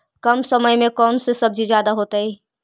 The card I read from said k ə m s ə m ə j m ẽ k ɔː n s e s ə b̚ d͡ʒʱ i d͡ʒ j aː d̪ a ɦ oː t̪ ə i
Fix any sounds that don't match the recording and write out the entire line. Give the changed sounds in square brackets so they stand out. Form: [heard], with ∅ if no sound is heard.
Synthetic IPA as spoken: k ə m s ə m ə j m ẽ k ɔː n s e s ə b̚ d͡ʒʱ i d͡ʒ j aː d̪ a ɦ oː t̪ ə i